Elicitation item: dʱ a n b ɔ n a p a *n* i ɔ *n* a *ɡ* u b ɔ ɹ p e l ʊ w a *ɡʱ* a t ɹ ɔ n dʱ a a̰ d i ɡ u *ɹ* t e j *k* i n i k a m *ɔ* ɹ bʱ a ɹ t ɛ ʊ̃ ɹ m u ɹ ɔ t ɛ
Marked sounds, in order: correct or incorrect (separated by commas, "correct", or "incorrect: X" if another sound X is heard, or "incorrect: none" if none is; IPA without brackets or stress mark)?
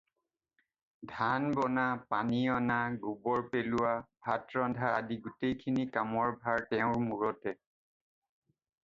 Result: correct, correct, correct, incorrect: bʱ, incorrect: none, incorrect: kʰ, correct